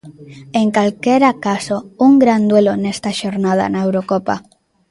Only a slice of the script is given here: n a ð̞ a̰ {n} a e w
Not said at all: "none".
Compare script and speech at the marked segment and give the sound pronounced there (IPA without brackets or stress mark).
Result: n